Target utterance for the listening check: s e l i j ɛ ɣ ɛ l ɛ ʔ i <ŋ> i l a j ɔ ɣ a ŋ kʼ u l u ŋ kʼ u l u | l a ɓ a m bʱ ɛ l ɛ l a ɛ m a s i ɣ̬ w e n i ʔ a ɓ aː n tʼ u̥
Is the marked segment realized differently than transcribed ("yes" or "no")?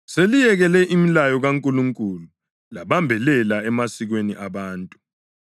yes